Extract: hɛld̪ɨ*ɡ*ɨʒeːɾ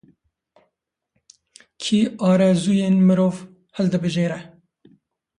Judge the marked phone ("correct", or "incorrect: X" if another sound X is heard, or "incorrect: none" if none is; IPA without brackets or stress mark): incorrect: b